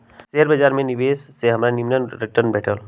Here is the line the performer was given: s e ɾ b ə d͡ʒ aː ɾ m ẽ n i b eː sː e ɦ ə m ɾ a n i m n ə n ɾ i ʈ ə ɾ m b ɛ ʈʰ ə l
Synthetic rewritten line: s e ɾ b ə d͡ʒ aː ɾ m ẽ n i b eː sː e ɦ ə m ɾ a n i m n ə n ɾ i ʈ ə ɾ n b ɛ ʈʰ ə l